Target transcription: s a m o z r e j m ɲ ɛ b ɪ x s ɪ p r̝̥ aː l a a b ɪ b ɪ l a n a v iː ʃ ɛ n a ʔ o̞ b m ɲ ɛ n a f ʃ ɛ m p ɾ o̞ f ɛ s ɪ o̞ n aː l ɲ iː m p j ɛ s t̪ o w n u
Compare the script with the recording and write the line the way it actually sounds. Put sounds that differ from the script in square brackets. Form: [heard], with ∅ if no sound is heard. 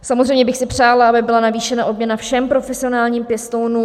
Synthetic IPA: s a m o z r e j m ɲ ɛ b ɪ x s ɪ p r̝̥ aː l a a b ɪ b ɪ l a n a v iː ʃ ɛ n a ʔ o̞ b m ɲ ɛ n a f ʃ ɛ m p ɾ o̞ f ɛ s ɪ o̞ n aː l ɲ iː m p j ɛ s t̪ o w n u